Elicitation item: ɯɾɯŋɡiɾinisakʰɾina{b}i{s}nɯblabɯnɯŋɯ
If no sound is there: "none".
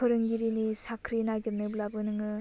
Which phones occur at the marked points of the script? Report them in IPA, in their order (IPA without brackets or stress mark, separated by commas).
ɡ, none